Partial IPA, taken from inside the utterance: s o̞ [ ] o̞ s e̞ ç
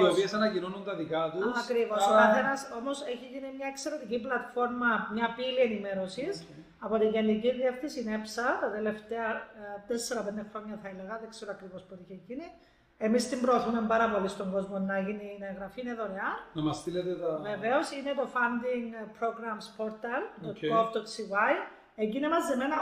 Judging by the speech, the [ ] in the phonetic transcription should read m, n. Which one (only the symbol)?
m